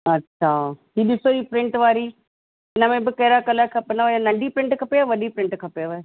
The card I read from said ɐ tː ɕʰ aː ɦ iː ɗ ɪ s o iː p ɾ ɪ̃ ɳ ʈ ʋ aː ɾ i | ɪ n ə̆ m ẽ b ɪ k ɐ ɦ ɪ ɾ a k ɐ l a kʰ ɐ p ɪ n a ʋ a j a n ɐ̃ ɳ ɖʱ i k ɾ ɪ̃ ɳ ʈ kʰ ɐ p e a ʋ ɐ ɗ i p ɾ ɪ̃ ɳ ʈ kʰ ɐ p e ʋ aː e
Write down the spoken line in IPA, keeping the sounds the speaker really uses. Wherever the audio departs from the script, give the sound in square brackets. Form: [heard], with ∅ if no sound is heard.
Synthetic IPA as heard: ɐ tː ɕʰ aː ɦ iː ɗ ɪ s o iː p ɾ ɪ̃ ɳ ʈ ʋ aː ɾ i | ɪ n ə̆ m ẽ b ɪ k ɐ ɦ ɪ ɾ a k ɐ l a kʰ ɐ p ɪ n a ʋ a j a n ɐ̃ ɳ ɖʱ i [p] ɾ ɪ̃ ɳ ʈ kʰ ɐ p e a ʋ ɐ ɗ i p ɾ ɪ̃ ɳ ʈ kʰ ɐ p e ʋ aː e